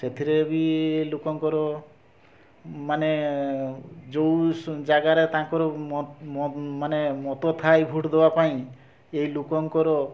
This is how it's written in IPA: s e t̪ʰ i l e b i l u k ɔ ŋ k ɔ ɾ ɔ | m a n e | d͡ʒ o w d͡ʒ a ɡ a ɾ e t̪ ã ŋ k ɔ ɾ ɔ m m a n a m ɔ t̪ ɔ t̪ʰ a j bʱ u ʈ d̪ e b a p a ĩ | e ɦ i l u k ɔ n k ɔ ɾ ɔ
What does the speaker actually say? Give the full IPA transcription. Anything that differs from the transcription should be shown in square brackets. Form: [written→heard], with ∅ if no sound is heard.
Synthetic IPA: s e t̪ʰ i [l→ɾ] e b i l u k ɔ ŋ k ɔ ɾ ɔ | m a n e | d͡ʒ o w d͡ʒ a ɡ a ɾ e t̪ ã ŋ k ɔ ɾ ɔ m m a n [a→e] m ɔ t̪ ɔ t̪ʰ a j bʱ u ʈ d̪ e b a p a ĩ | e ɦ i l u k ɔ [n→ŋ] k ɔ ɾ ɔ